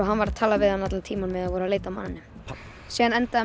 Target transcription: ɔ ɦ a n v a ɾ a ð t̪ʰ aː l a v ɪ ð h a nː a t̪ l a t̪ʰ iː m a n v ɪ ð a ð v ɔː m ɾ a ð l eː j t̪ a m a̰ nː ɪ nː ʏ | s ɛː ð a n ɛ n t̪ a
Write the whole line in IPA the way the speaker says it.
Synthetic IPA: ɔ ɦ a n v a ɾ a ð t̪ʰ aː l a v ɪ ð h a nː a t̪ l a t̪ʰ iː m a n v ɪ ð a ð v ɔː ɾ a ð l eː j t̪ a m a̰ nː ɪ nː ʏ | s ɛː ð a n ɛ n t̪ a